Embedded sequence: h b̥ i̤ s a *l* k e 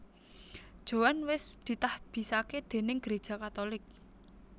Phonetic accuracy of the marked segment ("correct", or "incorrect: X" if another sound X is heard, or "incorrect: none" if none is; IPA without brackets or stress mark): incorrect: none